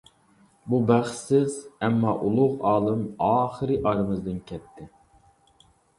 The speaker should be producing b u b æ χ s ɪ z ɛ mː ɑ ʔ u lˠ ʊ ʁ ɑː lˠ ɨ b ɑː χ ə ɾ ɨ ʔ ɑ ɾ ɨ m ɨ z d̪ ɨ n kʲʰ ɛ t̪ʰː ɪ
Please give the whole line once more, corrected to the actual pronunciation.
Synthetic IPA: b u b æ χ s ɪ z ɛ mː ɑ ʔ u lˠ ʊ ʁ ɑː lˠ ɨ m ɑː χ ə ɾ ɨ ʔ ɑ ɾ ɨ m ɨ z d̪ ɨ n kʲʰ ɛ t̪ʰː ɪ